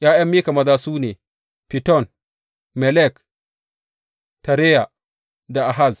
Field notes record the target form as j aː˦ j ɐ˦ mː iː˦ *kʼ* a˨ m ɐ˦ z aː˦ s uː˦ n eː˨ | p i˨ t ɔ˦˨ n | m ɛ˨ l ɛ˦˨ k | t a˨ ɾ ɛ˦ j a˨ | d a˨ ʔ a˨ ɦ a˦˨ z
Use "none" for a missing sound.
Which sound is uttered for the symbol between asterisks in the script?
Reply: k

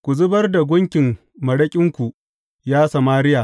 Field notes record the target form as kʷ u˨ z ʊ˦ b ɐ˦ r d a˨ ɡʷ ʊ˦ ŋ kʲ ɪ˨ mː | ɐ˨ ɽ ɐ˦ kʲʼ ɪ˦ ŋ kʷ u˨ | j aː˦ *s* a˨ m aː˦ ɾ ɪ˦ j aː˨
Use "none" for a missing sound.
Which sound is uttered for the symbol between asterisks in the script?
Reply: s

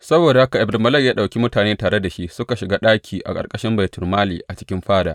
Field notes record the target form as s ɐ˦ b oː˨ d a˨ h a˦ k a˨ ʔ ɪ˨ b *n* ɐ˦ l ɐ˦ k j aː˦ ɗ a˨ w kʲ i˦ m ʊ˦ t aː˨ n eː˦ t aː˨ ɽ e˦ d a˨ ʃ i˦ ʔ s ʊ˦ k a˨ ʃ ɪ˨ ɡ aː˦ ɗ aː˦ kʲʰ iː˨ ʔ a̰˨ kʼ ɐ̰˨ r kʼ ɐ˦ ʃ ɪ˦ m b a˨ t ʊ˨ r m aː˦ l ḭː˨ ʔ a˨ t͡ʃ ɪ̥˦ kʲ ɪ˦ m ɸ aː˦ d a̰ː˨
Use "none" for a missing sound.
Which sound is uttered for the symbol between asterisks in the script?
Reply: m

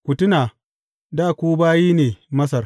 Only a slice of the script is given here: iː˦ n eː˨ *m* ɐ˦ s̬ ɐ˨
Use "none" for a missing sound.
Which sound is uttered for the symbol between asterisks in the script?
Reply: m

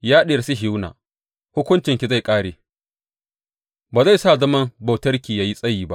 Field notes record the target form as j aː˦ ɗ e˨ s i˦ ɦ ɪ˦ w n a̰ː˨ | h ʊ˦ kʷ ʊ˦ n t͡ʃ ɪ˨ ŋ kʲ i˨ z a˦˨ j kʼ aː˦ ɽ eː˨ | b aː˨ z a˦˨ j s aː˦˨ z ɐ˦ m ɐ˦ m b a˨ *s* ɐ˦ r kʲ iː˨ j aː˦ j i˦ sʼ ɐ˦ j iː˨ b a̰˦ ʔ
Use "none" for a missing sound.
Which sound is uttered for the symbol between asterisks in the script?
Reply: t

